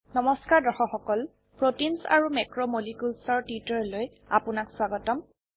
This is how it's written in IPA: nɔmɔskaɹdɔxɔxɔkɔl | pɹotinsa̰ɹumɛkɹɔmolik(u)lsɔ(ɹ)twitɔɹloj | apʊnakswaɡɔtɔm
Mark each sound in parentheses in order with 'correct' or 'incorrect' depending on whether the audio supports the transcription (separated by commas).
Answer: correct, correct